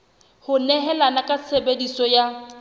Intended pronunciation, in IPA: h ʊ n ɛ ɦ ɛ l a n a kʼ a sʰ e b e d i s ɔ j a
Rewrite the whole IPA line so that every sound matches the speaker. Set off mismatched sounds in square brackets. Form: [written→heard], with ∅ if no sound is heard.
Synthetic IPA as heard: h ʊ n ɛ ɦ ɛ l a n a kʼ a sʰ e b e d i s ɔ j a